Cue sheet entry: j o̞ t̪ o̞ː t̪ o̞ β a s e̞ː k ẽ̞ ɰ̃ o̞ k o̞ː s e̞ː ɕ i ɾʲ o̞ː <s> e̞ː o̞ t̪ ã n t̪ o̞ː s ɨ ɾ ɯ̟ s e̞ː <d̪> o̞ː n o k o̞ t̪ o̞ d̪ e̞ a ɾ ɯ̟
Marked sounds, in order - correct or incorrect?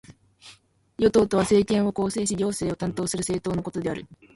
correct, incorrect: t̪

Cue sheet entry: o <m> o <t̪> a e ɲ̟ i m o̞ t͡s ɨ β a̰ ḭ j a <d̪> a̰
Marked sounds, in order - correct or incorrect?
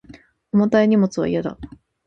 correct, correct, correct

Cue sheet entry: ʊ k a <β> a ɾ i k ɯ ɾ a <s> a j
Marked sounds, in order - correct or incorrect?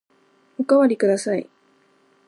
incorrect: w, correct

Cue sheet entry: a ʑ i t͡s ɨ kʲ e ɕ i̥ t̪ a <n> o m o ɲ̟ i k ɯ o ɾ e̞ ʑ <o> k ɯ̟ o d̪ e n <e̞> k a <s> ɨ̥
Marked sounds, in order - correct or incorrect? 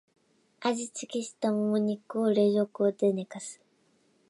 incorrect: m, correct, correct, correct

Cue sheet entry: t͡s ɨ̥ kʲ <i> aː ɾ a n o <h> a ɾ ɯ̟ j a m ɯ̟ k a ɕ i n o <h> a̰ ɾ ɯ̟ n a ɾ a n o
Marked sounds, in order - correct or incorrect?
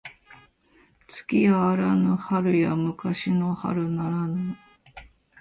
correct, correct, correct

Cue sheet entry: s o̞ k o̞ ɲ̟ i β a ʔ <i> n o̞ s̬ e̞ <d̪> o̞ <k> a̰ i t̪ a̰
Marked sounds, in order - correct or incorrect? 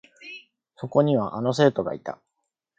incorrect: a, incorrect: t̪, incorrect: ɡ

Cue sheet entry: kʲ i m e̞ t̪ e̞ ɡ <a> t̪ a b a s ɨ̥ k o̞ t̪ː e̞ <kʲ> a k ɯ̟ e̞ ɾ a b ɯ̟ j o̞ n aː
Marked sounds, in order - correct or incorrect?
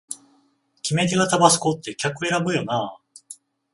correct, correct

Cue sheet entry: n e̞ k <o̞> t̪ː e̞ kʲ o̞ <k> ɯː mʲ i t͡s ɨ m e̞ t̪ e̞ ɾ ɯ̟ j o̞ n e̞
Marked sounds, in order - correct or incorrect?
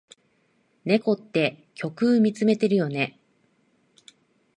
correct, correct

